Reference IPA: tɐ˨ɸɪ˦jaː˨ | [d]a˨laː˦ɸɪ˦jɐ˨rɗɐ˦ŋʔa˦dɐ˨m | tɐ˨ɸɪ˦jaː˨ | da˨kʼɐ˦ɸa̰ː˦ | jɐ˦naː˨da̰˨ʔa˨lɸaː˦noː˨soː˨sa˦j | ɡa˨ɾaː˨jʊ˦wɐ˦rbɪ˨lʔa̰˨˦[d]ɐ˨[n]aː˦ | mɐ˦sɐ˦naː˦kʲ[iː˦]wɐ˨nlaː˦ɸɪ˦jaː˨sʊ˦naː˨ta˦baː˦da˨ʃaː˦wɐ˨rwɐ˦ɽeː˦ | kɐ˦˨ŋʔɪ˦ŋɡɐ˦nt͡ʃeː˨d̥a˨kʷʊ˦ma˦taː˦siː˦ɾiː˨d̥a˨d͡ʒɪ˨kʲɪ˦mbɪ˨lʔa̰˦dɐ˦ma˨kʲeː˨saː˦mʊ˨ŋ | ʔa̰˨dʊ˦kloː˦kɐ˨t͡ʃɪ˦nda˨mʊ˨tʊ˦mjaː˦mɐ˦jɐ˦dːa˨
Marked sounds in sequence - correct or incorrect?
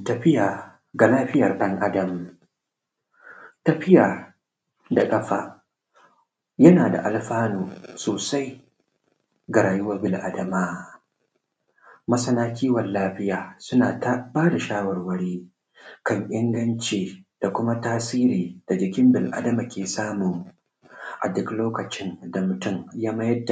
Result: incorrect, correct, incorrect, correct

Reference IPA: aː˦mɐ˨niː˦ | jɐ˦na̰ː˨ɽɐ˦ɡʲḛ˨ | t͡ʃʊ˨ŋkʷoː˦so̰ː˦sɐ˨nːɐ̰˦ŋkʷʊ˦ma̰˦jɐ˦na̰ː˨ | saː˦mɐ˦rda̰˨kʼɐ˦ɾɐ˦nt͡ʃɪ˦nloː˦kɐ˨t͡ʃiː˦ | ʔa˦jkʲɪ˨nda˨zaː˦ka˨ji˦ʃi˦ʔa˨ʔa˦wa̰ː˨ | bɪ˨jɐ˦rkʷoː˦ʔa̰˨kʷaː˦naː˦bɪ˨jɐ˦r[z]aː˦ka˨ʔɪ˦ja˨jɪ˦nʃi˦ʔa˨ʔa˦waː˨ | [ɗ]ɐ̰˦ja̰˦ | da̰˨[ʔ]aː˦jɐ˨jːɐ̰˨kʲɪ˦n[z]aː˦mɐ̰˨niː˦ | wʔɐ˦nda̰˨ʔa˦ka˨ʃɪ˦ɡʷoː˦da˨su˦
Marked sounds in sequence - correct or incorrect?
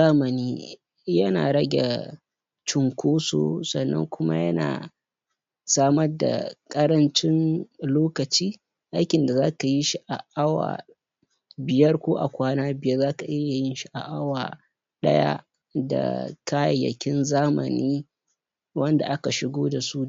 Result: correct, correct, incorrect, correct

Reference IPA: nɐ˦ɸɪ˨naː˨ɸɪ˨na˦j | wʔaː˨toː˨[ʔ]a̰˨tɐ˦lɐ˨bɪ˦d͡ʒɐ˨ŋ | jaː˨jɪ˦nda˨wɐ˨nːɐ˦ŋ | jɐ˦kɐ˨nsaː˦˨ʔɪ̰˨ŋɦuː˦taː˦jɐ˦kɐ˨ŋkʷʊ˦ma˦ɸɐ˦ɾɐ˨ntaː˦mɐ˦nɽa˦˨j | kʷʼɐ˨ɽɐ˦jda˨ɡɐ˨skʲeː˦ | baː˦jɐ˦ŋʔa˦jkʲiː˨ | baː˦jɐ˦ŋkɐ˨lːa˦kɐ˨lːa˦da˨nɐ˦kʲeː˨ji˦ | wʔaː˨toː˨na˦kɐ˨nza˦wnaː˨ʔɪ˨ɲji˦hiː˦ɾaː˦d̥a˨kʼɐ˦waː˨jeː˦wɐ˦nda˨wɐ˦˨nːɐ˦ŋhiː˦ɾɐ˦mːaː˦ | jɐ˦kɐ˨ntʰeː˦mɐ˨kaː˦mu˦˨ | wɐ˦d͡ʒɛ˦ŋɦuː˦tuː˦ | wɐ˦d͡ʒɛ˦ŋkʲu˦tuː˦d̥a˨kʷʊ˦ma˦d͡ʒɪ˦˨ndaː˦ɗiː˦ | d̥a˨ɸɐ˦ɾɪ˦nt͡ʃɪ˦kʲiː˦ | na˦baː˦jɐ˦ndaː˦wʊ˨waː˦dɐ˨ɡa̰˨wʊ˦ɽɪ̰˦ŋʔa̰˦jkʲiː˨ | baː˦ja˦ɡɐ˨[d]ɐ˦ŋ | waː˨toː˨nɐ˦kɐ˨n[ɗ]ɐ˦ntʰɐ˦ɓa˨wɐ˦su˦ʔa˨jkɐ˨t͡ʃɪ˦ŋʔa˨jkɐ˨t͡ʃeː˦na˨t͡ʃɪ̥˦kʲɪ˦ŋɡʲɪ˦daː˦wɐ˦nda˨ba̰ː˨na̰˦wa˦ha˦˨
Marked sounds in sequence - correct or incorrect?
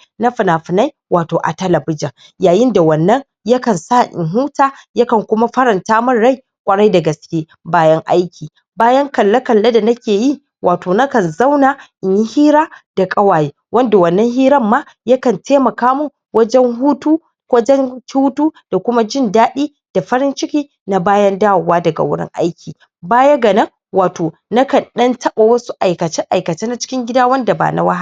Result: correct, incorrect, correct

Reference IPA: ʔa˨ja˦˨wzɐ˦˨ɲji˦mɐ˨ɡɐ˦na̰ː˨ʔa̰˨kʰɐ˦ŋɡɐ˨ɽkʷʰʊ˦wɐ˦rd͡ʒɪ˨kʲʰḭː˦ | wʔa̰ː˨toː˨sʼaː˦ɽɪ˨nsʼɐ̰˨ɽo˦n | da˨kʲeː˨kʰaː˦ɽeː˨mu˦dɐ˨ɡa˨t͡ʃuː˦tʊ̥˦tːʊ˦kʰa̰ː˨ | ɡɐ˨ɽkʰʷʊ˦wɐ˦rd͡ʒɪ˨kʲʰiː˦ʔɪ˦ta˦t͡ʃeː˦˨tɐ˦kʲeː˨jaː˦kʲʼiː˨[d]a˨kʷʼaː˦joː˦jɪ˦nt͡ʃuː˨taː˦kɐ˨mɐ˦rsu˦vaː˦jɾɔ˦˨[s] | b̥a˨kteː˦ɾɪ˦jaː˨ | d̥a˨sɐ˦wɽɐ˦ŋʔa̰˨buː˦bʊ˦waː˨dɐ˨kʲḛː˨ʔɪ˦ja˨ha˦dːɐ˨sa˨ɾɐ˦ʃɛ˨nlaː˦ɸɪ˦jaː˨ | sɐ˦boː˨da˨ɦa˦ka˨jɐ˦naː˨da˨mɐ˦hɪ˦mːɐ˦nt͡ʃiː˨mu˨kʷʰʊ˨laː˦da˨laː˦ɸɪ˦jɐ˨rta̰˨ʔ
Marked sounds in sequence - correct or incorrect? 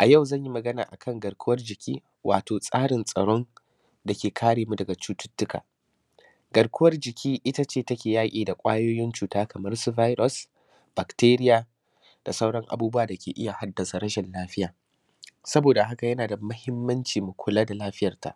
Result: correct, correct

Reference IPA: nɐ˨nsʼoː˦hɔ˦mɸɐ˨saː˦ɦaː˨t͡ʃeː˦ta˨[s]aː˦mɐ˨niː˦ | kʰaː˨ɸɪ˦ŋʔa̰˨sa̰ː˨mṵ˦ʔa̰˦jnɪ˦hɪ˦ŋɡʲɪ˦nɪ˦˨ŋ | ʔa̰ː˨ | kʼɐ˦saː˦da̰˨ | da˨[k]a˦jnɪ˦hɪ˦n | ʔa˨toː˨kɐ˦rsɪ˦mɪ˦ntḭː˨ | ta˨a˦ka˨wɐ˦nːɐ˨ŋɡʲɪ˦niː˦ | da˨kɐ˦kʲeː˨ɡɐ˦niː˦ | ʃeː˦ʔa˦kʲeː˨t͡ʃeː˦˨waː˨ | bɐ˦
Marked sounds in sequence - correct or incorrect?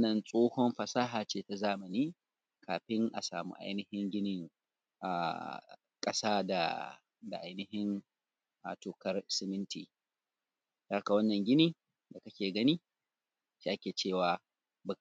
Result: incorrect, incorrect

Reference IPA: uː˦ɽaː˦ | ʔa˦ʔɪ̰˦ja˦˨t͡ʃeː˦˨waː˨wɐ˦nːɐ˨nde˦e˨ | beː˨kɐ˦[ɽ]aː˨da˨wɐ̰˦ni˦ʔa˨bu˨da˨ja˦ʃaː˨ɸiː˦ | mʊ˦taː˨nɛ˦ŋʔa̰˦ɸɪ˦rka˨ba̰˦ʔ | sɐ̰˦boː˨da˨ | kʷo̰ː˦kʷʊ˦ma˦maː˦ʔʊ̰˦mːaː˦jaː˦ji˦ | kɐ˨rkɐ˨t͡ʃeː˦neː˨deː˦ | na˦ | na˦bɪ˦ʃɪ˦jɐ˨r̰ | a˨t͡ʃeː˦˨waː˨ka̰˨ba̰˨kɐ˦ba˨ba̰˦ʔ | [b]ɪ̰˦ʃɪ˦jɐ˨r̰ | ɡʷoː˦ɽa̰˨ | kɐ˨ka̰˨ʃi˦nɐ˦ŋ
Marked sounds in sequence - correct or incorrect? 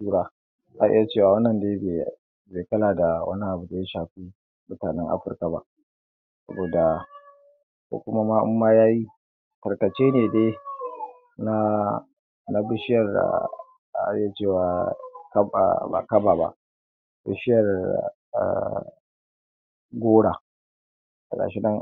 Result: incorrect, correct

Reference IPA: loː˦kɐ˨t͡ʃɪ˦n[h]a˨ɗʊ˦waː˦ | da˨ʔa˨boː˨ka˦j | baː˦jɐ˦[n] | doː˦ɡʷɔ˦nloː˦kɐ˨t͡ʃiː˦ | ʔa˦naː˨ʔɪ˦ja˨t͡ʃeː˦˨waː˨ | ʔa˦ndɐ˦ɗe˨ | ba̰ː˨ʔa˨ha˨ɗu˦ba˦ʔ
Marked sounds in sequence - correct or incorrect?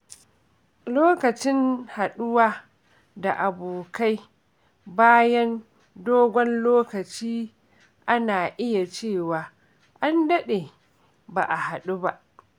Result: correct, correct

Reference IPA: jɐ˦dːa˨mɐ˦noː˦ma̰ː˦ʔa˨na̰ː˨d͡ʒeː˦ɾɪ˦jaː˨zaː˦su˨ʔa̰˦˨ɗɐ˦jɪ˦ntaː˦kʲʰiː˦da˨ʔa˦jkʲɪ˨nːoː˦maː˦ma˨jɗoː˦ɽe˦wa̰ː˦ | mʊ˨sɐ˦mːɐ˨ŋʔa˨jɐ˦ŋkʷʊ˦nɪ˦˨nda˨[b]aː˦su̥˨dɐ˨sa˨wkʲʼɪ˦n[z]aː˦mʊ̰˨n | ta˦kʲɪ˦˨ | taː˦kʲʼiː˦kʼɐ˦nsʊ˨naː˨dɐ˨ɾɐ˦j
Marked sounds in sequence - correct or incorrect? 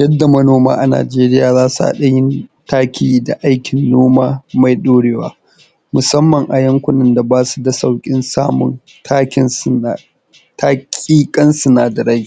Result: correct, incorrect

